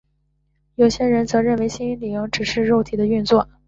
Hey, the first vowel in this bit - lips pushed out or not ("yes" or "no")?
yes